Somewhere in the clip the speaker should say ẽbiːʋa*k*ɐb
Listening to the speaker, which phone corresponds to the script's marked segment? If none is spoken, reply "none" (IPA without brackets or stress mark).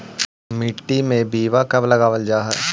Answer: k